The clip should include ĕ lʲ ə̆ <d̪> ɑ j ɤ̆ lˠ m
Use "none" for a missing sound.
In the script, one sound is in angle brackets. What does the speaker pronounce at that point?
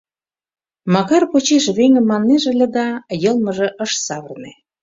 d̪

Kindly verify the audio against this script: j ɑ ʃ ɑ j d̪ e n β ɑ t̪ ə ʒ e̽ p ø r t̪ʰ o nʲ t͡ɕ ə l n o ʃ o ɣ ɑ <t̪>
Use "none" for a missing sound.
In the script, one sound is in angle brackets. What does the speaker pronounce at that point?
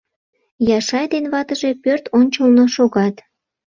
t̪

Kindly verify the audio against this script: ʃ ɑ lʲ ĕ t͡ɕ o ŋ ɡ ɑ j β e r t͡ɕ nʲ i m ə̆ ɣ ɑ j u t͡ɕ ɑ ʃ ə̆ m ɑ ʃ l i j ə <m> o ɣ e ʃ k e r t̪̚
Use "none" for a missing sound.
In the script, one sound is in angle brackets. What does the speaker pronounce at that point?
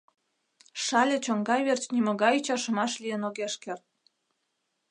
n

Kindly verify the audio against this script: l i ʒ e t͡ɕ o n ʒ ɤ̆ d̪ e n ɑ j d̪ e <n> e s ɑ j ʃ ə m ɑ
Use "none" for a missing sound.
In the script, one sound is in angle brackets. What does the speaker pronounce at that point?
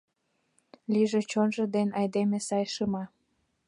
m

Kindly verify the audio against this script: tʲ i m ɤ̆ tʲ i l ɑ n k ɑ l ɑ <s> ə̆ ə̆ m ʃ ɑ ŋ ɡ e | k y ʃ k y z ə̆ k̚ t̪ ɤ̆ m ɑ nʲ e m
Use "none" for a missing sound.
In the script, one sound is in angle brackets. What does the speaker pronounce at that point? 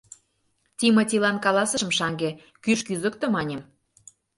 s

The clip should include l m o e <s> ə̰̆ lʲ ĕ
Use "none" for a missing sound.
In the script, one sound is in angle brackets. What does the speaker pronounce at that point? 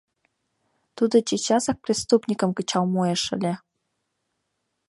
ʃ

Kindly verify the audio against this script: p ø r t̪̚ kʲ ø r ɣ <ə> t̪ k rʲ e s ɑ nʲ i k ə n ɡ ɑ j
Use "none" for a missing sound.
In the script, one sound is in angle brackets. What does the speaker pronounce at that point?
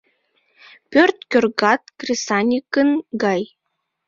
ɑ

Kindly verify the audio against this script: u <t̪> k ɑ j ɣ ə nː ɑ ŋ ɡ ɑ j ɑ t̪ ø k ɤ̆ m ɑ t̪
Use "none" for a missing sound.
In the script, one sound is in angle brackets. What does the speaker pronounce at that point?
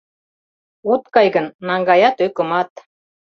t̪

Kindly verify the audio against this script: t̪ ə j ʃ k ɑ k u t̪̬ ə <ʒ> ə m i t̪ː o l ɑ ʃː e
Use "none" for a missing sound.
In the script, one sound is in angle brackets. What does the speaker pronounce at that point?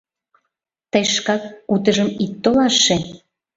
ʒ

